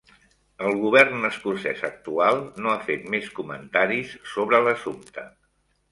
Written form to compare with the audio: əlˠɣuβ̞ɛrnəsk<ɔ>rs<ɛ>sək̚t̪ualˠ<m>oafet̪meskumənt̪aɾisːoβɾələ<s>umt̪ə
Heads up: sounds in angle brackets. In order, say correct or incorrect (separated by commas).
incorrect, correct, incorrect, correct